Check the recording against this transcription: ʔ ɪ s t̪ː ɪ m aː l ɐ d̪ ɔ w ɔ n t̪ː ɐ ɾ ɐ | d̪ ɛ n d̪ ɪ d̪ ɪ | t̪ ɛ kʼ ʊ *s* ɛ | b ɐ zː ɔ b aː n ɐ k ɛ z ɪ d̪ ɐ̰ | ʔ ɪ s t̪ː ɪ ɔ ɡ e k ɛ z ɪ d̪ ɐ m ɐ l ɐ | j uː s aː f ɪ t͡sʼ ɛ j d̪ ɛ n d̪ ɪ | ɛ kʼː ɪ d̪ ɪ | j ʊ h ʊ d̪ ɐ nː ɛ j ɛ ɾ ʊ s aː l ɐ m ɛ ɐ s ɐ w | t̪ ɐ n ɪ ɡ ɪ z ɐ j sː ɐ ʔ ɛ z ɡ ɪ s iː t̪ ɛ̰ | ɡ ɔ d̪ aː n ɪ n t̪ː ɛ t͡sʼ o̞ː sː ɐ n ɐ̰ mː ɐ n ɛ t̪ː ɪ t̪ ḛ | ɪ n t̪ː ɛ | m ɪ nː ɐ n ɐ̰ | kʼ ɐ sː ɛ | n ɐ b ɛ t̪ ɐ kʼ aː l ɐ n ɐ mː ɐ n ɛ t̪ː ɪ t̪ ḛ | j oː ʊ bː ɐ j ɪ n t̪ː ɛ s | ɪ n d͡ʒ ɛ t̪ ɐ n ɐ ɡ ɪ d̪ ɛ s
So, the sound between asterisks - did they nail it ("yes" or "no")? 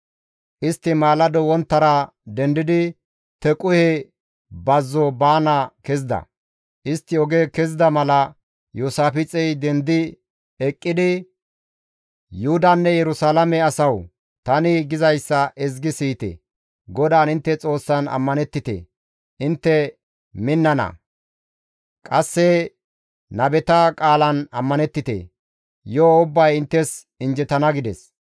no